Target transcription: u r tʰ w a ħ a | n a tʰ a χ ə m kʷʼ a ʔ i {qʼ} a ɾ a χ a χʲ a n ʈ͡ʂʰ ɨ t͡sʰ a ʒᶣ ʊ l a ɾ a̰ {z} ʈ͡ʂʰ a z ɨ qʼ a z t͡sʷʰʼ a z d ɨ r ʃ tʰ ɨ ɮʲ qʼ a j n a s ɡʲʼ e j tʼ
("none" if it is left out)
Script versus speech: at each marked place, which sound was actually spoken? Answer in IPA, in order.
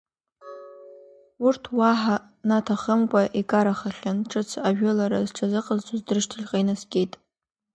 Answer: kʼ, z

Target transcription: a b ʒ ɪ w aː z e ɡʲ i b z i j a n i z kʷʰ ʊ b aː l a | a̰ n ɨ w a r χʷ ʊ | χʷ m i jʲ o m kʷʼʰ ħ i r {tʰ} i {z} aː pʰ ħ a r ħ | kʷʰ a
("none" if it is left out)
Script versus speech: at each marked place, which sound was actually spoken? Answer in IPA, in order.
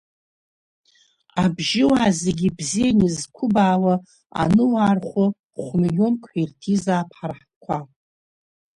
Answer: tʰ, z

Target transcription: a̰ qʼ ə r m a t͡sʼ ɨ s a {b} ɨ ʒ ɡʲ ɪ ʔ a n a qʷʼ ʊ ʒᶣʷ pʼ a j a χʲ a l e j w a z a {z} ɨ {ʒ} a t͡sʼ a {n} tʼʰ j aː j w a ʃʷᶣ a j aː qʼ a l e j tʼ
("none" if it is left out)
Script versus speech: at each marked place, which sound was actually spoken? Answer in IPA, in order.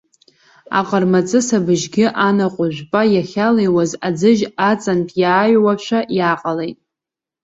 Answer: b, d͡z, ʒ, n

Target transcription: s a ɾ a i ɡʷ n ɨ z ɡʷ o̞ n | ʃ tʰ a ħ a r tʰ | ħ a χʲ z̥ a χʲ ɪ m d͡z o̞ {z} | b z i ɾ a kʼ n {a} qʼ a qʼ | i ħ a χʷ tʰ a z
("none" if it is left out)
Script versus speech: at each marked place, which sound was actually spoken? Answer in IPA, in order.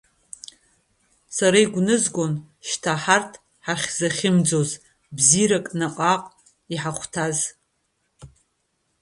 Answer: z, a

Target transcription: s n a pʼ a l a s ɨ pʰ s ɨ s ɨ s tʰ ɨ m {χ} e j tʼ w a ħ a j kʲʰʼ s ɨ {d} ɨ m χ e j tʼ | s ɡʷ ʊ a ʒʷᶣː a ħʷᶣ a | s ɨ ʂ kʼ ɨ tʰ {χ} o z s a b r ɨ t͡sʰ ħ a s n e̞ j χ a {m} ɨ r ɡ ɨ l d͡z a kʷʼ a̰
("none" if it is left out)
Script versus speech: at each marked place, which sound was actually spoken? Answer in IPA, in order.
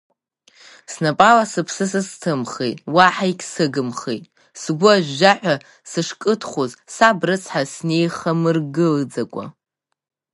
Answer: χ, ɡ, χ, m

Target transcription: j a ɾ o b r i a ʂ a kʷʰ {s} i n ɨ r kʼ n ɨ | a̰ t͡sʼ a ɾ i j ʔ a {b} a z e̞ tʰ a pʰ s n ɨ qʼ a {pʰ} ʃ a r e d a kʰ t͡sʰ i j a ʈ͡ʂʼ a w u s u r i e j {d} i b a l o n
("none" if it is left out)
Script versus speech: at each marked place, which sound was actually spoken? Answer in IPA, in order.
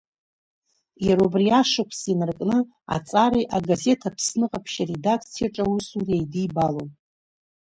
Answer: s, ɡ, pʰ, d

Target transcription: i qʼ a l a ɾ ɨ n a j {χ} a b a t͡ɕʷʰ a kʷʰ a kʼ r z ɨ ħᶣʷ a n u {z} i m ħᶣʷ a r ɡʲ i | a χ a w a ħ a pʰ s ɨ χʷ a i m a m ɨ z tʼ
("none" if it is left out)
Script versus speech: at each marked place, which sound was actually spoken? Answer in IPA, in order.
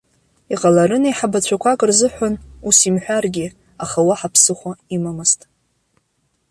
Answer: ħ, s

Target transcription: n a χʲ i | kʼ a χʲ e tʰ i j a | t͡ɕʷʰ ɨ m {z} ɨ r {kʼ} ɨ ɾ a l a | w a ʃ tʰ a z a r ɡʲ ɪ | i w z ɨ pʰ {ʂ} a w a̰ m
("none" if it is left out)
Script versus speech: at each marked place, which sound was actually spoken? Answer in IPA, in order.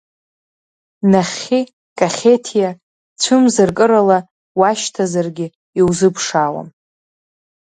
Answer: z, kʼ, ʂ

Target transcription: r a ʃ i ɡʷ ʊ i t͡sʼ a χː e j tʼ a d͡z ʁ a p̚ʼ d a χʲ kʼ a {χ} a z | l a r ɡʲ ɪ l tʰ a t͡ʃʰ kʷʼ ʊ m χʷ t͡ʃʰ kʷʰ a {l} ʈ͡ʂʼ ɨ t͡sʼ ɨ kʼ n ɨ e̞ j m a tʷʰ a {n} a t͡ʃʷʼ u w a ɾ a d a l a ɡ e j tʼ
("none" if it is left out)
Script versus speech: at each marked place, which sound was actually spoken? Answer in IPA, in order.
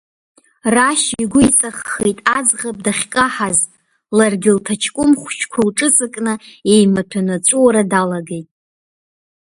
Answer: ħ, l, n

